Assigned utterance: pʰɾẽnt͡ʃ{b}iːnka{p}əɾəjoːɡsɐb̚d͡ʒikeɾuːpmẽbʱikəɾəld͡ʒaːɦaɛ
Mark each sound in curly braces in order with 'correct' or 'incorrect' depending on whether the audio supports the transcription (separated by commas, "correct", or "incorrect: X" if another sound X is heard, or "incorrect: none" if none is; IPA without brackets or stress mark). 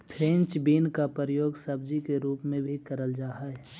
correct, correct